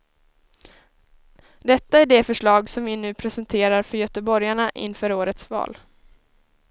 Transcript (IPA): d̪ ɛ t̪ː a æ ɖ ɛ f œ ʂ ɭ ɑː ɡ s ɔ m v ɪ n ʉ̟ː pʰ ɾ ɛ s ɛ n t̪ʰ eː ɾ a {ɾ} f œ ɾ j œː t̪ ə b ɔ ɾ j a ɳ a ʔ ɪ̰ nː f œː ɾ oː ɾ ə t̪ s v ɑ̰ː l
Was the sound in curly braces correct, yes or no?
yes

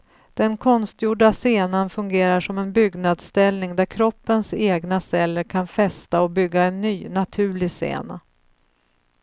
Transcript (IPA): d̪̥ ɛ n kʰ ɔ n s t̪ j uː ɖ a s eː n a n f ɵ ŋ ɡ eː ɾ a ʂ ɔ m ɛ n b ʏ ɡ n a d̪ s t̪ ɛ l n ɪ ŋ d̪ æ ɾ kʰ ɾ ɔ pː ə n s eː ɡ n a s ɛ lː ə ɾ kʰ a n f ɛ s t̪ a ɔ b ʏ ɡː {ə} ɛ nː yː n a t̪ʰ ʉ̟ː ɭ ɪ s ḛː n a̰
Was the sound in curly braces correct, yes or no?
no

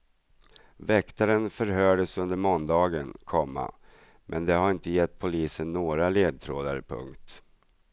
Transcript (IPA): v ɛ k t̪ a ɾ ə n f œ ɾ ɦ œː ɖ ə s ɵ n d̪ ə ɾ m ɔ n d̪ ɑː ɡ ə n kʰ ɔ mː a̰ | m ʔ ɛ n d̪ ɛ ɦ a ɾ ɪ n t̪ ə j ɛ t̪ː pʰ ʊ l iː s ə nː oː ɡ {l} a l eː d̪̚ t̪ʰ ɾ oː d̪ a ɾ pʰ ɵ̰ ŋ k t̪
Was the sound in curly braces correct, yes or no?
no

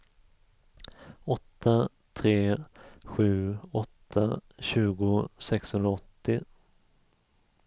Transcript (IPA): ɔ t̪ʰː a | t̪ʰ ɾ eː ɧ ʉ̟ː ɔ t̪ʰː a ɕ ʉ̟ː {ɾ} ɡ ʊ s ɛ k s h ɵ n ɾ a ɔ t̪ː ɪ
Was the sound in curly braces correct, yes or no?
no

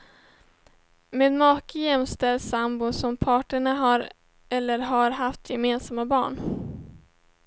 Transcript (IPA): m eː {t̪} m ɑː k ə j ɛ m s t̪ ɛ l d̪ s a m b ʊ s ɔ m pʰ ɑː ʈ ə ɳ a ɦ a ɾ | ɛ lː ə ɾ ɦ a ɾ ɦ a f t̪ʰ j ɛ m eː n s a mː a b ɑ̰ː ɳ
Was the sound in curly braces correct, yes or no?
no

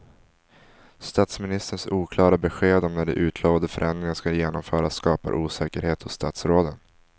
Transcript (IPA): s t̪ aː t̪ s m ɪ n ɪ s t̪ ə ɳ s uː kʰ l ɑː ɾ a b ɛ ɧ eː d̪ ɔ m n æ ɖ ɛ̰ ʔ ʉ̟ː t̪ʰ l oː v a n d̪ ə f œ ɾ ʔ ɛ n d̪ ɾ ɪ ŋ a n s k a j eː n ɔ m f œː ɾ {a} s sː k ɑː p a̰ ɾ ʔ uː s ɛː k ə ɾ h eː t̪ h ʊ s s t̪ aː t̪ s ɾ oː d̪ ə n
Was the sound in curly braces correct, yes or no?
yes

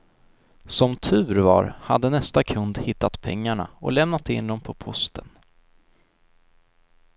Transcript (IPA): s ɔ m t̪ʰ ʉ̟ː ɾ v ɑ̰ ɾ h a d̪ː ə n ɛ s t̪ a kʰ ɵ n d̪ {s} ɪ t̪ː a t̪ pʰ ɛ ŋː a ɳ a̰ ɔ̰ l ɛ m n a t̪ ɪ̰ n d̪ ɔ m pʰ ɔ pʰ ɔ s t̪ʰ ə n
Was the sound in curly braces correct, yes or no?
no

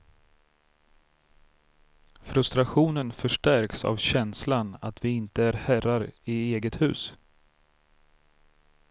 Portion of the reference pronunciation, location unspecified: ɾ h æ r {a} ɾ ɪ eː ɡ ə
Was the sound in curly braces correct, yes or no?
yes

